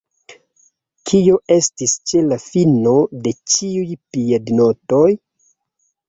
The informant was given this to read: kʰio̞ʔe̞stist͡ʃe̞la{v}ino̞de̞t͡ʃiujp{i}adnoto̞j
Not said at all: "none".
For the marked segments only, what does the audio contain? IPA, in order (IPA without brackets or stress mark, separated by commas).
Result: f, i